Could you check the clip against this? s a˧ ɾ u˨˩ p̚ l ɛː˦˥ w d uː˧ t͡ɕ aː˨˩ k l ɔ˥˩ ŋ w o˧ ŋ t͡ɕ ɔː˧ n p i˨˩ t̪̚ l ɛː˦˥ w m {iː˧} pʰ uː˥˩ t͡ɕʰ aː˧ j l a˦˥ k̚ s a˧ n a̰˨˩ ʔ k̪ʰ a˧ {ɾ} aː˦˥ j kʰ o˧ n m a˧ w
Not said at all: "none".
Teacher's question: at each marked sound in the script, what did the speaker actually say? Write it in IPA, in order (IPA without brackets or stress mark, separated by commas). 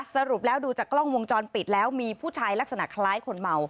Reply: iː˧, l